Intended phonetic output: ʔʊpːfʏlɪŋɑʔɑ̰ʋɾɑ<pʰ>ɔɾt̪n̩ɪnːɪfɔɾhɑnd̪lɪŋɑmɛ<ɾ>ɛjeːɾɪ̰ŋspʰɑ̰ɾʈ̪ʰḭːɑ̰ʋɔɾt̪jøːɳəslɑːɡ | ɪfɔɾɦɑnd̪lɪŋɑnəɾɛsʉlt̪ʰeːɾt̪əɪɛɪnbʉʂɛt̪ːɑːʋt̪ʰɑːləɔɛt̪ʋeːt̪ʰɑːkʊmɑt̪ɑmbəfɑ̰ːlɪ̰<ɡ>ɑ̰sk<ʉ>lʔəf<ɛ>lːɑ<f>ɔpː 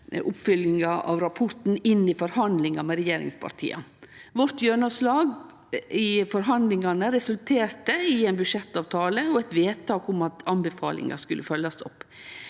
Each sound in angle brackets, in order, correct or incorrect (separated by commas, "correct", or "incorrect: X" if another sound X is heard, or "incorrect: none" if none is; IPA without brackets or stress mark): correct, correct, incorrect: ŋ, correct, incorrect: œ, incorrect: s